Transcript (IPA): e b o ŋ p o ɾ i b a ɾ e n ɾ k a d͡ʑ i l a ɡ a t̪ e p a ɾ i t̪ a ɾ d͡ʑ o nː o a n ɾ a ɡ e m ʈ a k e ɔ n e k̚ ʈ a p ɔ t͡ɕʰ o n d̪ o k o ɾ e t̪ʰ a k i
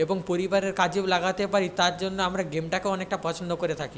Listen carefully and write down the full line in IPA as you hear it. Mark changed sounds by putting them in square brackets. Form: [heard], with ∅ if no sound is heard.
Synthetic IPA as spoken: e b o ŋ p o ɾ i b a ɾ e [∅] ɾ k a d͡ʑ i l a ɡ a t̪ e p a ɾ i t̪ a ɾ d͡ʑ o nː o a [m] ɾ a ɡ e m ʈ a k e ɔ n e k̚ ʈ a p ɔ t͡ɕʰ o n d̪ o k o ɾ e t̪ʰ a k i